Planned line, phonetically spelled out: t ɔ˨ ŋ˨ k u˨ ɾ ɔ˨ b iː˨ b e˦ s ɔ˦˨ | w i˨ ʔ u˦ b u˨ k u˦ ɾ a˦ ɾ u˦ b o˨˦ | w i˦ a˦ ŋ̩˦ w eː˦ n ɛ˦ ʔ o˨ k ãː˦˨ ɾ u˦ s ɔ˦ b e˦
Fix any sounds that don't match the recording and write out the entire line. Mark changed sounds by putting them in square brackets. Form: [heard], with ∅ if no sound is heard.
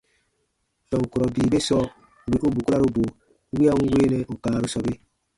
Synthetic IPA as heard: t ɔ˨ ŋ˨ k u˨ ɾ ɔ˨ b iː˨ b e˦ s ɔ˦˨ | w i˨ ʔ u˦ b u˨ k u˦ ɾ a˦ ɾ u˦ b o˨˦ | w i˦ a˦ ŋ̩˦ w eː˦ n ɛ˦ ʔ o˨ k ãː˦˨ ɾ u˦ s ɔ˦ b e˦